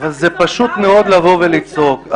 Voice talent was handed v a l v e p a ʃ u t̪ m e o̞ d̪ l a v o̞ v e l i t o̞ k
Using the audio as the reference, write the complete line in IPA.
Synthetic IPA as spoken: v a l z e p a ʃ u t̪ m e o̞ d̪ l a v o̞ v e l i t͡s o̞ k